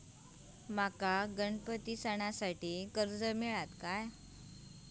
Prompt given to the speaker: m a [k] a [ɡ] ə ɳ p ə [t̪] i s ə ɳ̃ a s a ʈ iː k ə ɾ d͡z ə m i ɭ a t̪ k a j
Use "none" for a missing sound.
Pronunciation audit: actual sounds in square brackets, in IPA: k, ɡ, t̪

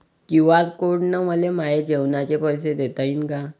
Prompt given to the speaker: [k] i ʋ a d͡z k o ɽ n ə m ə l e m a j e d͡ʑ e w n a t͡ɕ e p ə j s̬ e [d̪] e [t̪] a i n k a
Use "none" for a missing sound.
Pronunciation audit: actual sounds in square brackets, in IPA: k, d̪, t̪

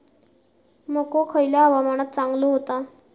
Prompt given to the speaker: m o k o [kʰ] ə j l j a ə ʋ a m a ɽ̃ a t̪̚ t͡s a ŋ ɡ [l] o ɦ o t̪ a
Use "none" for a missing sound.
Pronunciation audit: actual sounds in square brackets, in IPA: kʰ, l

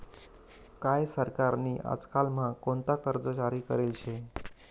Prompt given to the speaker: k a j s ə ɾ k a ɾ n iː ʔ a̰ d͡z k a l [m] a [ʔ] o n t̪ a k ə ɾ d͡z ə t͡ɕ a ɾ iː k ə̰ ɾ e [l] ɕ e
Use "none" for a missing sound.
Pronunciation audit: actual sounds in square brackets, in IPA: m, k, l

